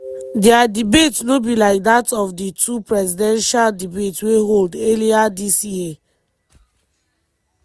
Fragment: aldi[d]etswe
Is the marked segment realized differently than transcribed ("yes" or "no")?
yes